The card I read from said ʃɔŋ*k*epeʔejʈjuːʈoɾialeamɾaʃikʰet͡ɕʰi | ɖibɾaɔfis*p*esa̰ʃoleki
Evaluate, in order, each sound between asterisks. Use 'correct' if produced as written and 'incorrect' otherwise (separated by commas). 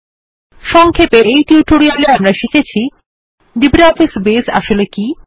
incorrect, incorrect